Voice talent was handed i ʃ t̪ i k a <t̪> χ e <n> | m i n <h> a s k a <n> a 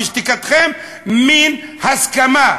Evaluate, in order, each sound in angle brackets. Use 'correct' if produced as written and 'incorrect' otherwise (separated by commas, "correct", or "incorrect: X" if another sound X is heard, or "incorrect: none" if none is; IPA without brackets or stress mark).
correct, incorrect: m, correct, incorrect: m